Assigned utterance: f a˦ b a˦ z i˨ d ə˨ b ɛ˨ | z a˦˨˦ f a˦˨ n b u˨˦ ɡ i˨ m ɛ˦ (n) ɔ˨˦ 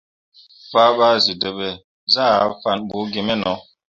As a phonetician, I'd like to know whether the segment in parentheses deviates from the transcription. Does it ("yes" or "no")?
no